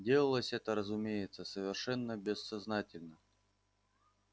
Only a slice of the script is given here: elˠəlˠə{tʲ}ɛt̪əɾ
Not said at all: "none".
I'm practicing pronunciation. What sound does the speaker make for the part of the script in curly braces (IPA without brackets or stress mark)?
sʲ